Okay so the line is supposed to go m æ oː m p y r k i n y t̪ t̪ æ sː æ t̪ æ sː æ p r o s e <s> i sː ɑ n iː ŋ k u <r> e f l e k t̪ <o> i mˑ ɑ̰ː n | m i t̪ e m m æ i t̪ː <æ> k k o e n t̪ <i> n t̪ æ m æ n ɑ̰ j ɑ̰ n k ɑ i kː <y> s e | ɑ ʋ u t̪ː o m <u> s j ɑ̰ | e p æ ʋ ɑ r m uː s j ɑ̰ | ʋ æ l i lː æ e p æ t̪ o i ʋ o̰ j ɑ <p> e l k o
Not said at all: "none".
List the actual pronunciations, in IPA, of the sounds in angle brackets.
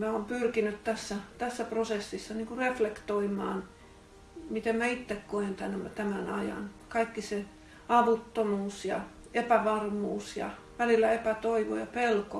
sː, r, o, e, æ, i, uː, p

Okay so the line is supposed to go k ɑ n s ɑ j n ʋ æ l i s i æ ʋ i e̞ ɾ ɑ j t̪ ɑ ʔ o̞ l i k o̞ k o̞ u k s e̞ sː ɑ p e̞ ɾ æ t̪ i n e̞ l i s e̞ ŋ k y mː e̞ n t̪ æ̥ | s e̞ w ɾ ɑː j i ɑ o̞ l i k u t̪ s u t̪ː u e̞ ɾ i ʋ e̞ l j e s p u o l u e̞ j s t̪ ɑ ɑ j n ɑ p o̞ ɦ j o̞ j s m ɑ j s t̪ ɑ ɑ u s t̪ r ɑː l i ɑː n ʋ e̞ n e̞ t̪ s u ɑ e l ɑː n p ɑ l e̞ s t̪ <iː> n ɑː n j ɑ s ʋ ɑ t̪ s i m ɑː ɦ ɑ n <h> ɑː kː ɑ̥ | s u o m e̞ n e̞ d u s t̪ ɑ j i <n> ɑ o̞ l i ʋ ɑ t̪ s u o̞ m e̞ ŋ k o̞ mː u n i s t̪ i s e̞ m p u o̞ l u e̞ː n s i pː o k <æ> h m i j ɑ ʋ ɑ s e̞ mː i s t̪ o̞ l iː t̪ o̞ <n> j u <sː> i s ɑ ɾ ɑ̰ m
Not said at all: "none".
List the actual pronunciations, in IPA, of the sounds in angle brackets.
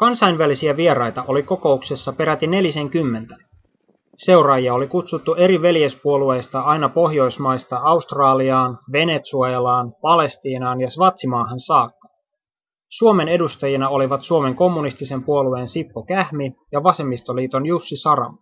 iː, s, n, æ, n, sː

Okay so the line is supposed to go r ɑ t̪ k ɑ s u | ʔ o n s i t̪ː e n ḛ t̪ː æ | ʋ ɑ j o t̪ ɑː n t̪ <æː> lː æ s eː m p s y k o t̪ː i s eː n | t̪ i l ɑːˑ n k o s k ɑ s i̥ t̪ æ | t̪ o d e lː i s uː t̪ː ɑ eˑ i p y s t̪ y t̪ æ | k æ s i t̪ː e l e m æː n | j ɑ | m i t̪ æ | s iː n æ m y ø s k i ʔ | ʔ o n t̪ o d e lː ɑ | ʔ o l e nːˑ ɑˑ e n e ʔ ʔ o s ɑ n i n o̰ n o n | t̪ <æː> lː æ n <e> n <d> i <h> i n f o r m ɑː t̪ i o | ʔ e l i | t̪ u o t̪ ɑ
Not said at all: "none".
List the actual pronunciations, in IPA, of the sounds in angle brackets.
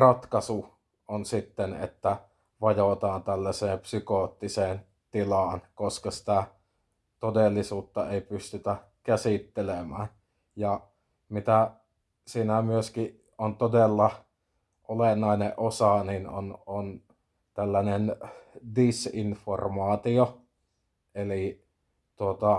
æ, æ, e, d, s

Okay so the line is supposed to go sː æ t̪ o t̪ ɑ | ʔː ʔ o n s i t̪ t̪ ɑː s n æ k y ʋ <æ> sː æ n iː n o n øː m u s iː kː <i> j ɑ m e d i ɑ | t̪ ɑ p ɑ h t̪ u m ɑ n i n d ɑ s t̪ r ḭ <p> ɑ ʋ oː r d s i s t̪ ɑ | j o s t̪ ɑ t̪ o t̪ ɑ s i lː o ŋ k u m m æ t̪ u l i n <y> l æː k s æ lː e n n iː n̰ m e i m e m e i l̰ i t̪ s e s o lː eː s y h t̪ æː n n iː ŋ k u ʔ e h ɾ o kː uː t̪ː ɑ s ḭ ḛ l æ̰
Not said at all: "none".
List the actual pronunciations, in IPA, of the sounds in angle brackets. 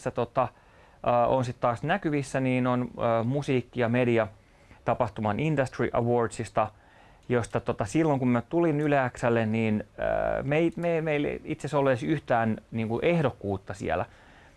i, i, ʔ, y

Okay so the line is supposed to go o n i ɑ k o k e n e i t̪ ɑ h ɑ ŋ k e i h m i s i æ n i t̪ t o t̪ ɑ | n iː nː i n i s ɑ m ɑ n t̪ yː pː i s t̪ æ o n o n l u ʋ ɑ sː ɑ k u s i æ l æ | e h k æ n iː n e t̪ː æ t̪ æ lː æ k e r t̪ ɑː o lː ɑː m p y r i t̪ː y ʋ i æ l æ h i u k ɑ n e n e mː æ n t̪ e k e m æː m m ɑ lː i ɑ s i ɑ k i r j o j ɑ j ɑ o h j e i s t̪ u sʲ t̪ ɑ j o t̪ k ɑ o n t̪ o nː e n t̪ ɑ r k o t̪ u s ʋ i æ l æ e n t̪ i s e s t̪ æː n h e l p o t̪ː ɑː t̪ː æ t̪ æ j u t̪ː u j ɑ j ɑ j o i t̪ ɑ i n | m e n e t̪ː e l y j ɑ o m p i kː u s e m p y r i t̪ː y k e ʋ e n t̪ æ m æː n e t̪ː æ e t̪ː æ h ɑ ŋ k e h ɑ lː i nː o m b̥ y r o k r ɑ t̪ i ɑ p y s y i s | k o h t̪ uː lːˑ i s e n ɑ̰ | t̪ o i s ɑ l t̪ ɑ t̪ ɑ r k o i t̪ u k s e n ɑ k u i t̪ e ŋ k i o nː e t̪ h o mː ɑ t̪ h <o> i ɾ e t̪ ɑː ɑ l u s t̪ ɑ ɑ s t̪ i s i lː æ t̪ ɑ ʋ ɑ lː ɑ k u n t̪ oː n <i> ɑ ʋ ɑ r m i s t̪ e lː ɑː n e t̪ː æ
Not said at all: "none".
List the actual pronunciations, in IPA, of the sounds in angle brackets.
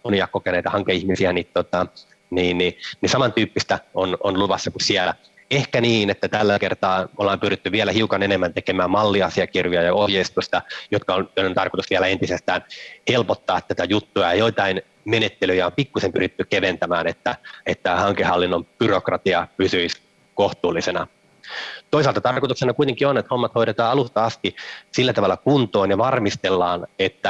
o, j

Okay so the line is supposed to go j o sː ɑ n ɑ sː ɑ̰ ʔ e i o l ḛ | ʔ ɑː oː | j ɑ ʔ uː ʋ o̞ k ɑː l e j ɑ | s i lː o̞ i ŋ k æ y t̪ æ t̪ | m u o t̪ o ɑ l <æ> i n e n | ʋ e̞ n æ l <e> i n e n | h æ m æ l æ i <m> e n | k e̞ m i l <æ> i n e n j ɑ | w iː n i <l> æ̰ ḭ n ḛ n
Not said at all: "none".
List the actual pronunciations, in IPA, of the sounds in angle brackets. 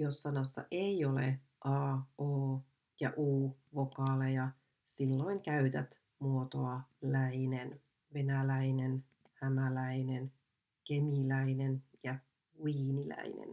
æ, æ, n, æ, l

